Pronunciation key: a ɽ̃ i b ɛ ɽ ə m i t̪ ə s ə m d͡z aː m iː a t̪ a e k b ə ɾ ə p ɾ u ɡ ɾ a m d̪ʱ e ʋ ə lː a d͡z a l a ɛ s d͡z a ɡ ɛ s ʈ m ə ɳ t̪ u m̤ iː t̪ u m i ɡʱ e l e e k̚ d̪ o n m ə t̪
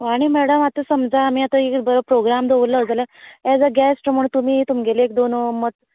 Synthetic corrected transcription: a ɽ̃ i m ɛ ɽ ə m a t̪ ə s ə m d͡z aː m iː a t̪ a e k b ə ɾ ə p ɾ o ɡ ɾ a m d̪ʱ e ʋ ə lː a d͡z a l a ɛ d͡z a ɡ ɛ s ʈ m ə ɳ t̪ u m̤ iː t̪ u m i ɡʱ e l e e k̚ d̪ o n m ə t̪

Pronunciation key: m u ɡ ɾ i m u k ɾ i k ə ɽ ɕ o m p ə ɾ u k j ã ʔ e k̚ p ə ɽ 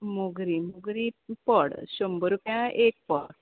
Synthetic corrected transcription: m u ɡ ɾ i m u ɡ ɾ i p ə ɽ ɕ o m b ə ɾ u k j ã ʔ e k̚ p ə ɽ

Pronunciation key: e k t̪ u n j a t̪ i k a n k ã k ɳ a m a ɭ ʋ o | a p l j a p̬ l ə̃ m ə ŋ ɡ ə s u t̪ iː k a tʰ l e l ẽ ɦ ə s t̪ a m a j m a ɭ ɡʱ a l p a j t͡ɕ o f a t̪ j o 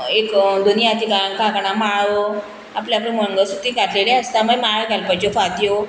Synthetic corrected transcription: e k d̪ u n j a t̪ i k a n k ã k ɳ a m a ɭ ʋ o | a p l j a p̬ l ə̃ m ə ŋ ɡ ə s u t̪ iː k a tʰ l e l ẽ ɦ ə s t̪ a m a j m a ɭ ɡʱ a l p a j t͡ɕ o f a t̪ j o

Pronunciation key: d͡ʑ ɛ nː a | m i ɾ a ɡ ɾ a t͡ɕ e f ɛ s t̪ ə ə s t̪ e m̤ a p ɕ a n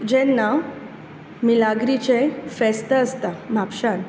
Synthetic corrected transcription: d͡ʑ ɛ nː a | m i l a ɡ ɾ i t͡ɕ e f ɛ s t̪ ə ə s t̪ a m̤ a p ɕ a n

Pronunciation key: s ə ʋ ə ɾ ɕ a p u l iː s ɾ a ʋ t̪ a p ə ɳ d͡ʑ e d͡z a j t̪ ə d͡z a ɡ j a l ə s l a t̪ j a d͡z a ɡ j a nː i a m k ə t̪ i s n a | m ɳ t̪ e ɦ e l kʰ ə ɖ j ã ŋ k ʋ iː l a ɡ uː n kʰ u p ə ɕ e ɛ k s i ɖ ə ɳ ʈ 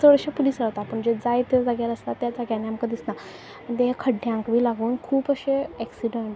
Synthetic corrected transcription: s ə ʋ ə ɾ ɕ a p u l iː s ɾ a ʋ t̪ a p ə ɳ d͡ʑ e d͡z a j t̪ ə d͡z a ɡ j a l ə s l a t̪ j a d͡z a ɡ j a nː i a m k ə d̪ i s n a | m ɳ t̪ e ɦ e kʰ ə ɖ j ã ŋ k ʋ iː l a ɡ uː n kʰ uː p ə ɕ e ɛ k s i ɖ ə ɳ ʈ

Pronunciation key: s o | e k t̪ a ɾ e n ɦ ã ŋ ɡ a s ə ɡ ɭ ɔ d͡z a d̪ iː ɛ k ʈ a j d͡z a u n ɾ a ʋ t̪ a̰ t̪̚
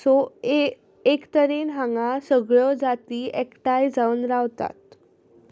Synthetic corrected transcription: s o | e k t̪ ə ɾ e n ɦ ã ŋ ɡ a s ə ɡ ɭ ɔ d͡z a t̪ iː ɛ k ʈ a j d͡z a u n ɾ a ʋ t̪ a̰ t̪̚

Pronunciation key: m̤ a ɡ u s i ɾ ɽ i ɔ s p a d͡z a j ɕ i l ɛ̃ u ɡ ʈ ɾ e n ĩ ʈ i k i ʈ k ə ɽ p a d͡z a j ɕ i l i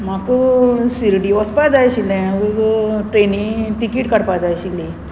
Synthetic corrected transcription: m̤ a k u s i ɾ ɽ i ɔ s p a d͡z a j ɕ i l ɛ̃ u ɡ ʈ ɾ e n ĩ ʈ i k i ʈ k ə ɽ p a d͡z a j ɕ i l i

